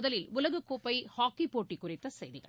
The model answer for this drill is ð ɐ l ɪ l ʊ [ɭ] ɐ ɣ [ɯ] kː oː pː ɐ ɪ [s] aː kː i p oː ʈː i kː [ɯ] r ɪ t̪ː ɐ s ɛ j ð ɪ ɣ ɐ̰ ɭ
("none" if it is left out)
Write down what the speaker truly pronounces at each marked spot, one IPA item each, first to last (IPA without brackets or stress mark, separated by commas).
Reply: l, ɯ, h, ʊ